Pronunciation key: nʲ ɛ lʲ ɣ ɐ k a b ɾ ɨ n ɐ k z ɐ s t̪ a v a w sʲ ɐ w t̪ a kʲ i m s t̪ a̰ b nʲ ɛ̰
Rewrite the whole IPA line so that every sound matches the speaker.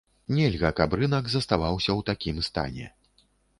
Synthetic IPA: nʲ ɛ lʲ ɣ ɐ k a b ɾ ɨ n ɐ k z ɐ s t̪ a v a w sʲ ɐ w t̪ a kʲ i m s t̪ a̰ nʲ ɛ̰